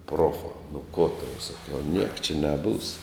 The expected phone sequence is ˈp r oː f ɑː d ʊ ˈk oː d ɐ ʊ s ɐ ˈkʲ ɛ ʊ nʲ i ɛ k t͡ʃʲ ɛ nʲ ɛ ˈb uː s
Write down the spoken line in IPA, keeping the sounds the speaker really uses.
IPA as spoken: ˈp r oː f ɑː n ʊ ˈk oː t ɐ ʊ s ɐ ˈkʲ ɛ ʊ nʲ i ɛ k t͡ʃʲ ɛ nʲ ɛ ˈb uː s